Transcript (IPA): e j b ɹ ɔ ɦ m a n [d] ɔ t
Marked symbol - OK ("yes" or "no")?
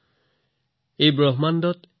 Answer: yes